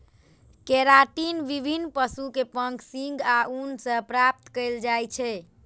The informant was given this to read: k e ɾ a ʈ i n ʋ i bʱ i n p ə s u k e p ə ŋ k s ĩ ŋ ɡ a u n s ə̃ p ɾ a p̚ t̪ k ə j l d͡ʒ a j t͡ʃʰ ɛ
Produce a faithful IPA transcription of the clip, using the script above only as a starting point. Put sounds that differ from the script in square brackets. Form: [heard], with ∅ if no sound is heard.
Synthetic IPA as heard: k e ɾ a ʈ i n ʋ i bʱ i n p ə s u k e p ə ŋ k s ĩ ŋ ɡ a u n s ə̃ p ɾ a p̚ t̪ k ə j l d͡ʒ a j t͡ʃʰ ɛ

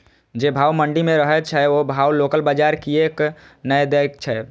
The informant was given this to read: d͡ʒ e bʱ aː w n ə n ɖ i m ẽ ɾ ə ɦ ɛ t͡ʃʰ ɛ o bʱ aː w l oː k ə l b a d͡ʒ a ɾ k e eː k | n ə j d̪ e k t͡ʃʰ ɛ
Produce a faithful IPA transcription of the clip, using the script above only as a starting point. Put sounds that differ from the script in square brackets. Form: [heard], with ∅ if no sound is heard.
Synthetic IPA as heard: d͡ʒ e bʱ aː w [m] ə [ɳ] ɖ i m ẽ ɾ ə ɦ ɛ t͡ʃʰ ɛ o bʱ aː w l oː k ə l b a d͡ʒ a ɾ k [i] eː k | n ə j d̪ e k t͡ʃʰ ɛ

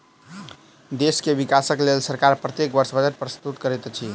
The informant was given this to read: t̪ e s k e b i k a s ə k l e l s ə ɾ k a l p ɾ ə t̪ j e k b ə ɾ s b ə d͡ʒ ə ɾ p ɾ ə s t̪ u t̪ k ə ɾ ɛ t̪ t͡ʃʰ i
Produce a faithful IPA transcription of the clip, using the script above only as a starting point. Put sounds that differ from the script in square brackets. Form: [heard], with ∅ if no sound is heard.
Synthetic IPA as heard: [d̪] e s k e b i k a s ə k l e l s ə ɾ k a [ɾ] p ɾ ə t̪ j e k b ə ɾ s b ə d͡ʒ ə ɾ p ɾ ə s t̪ u t̪ k ə ɾ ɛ t̪ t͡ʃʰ i

